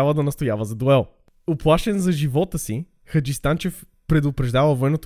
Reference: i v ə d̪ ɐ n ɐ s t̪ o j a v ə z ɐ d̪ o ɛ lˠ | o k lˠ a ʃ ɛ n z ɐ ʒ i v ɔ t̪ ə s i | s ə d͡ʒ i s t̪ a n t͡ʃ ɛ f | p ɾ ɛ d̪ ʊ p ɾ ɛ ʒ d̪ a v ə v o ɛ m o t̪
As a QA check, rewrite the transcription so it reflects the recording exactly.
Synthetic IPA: a v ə d̪ ɐ n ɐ s t̪ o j a v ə z ɐ d̪ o ɛ lˠ | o p lˠ a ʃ ɛ n z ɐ ʒ i v ɔ t̪ ə s i | x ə d͡ʒ i s t̪ a n t͡ʃ ɛ f | p ɾ ɛ d̪ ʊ p ɾ ɛ ʒ d̪ a v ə v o ɛ n o t̪